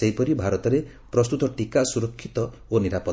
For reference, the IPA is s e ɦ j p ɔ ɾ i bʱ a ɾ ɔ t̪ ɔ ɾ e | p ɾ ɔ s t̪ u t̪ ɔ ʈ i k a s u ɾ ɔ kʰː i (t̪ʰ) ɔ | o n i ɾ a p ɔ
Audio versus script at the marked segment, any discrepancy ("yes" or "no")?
yes